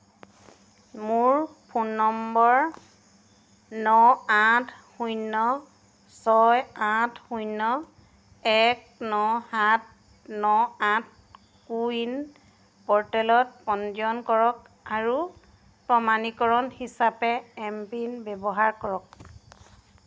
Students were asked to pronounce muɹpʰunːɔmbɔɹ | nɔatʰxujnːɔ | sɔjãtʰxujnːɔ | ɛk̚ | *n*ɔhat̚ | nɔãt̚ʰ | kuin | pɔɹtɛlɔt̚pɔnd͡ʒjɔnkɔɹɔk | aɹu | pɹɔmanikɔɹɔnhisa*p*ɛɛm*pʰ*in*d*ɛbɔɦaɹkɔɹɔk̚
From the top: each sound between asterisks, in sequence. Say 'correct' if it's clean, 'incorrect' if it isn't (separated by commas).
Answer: correct, correct, incorrect, incorrect